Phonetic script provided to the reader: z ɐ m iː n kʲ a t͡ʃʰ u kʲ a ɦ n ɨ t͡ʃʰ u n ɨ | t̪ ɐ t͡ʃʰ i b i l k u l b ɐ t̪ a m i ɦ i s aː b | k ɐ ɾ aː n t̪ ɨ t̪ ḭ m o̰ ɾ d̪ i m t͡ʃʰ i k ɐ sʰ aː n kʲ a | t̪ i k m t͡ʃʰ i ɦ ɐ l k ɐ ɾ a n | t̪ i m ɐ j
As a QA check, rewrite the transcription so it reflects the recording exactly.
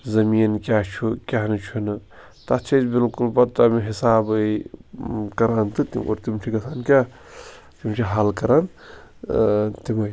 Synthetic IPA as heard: z ɐ m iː n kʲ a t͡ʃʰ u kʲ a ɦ n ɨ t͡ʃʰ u n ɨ | t̪ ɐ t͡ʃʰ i b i l k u l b ɐ t̪ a m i ɦ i s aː b | k ɐ ɾ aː n t̪ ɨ t̪ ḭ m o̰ ɾ t̪ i m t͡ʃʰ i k ɐ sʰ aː n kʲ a | t̪ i m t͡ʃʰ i ɦ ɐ l k ɐ ɾ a n | t̪ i m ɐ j